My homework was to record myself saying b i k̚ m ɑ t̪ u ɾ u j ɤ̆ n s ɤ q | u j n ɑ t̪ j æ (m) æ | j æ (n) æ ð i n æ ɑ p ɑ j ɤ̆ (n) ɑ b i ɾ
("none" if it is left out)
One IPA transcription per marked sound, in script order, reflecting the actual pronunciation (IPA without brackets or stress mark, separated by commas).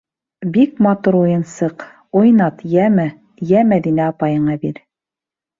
m, m, ɴ